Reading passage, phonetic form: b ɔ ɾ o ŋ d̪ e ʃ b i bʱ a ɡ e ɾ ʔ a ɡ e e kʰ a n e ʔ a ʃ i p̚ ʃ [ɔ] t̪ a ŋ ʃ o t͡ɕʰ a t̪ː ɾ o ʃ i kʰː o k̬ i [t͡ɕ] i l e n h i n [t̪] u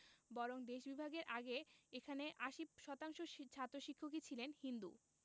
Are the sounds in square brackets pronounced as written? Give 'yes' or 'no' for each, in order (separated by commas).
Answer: yes, no, no